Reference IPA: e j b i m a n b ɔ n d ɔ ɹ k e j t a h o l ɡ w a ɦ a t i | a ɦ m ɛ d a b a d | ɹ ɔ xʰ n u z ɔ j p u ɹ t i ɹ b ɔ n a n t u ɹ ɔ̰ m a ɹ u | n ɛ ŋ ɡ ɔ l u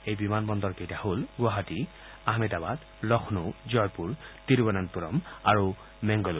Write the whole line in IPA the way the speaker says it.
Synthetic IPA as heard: e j b i m a n b ɔ n d ɔ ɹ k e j t a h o l ɡ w a ɦ a t i | a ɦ m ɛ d a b a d | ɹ ɔ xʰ n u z ɔ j p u ɹ t i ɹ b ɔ n a n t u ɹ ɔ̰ m a ɹ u | m ɛ ŋ ɡ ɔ l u